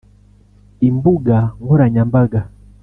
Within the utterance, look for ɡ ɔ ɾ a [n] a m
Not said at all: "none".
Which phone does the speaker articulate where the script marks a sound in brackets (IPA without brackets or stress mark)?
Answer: ɲ